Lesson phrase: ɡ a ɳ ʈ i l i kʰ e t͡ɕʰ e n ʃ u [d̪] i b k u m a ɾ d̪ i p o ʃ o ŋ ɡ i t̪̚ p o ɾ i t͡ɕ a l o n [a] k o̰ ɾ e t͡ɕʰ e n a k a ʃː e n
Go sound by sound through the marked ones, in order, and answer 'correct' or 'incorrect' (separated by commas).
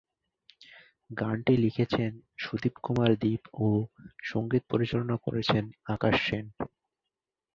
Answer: correct, correct